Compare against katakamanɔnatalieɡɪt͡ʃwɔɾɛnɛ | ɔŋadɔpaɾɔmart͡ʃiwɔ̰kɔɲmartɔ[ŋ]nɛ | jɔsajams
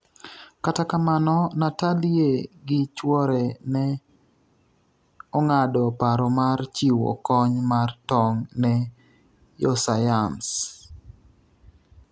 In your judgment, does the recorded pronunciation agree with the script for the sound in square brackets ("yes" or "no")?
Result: yes